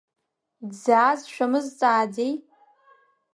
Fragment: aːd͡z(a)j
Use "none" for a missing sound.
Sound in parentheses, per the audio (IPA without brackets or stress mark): e